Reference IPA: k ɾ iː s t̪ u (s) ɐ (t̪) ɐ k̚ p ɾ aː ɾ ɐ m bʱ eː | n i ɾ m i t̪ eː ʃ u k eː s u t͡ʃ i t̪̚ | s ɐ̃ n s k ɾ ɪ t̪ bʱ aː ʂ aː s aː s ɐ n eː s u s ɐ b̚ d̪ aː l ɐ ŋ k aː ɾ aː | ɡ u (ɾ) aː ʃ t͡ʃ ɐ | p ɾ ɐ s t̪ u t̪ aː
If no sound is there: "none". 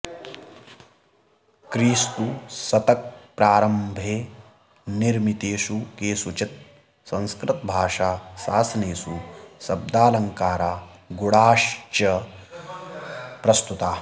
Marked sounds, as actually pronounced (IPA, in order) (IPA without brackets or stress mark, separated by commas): s, t̪, ɽ